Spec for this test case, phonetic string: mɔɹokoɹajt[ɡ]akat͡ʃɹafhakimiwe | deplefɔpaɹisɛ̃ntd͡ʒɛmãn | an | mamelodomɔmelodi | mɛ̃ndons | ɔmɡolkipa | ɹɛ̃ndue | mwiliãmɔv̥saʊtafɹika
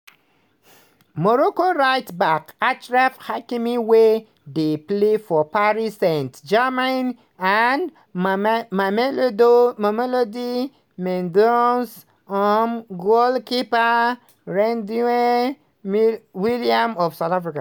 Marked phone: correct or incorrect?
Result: incorrect